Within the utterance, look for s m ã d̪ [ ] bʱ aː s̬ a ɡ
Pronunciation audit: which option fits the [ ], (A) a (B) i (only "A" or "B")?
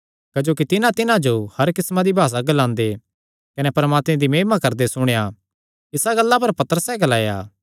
B